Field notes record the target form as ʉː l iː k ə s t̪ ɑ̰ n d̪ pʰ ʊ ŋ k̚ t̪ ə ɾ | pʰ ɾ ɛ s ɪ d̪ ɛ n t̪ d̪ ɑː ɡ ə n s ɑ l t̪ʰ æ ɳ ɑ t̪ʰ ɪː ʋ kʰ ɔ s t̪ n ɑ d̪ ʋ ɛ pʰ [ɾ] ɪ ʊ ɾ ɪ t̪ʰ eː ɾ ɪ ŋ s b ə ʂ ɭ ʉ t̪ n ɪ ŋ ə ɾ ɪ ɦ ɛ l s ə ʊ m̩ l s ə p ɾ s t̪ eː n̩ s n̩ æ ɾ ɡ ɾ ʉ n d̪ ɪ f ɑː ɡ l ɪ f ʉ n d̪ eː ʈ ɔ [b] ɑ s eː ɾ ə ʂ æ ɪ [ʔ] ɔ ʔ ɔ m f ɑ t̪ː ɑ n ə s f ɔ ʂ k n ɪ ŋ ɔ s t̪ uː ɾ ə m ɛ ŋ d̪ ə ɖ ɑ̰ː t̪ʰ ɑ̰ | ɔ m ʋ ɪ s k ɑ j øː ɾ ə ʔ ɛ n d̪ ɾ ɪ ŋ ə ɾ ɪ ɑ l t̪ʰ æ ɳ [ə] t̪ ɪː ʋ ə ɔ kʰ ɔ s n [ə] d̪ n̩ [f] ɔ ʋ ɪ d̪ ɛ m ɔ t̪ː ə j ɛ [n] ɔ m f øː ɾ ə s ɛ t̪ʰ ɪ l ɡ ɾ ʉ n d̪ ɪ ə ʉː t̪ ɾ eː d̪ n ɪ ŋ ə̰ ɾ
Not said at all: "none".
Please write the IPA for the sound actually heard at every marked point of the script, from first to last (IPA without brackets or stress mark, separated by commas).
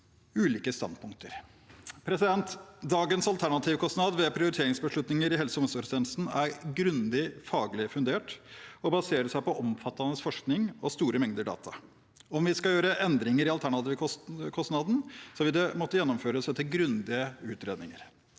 ɾ, b, p, ɑ, ɑ, s, nː